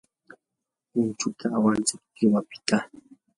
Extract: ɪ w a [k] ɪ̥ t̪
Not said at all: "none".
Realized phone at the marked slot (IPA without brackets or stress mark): p